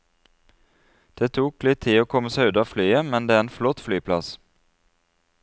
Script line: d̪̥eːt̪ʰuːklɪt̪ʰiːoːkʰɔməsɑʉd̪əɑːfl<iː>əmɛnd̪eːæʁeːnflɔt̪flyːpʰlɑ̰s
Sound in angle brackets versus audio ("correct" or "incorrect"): incorrect